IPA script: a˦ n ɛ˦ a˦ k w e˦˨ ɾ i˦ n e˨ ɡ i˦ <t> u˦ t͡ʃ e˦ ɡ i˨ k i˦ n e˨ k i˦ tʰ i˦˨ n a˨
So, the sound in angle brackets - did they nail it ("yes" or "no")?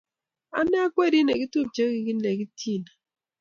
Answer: yes